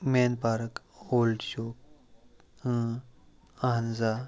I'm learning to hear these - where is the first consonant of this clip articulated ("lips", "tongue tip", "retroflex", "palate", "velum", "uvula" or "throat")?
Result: lips